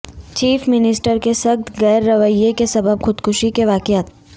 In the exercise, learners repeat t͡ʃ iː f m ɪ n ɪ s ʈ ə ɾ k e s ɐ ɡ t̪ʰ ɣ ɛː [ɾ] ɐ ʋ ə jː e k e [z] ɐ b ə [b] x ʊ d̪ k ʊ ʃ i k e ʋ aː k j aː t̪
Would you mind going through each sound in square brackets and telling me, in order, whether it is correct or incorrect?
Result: incorrect, incorrect, correct

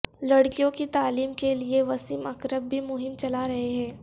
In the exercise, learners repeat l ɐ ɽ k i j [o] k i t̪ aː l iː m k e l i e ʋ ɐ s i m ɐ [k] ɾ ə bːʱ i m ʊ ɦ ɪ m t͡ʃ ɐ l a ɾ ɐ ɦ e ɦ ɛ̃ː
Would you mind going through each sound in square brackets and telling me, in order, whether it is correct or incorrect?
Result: incorrect, correct

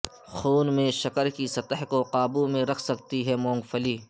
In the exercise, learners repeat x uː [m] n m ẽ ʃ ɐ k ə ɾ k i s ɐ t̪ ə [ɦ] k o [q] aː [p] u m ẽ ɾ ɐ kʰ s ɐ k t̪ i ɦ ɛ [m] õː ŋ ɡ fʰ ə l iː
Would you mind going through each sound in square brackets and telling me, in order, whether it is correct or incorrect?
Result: incorrect, correct, correct, incorrect, correct

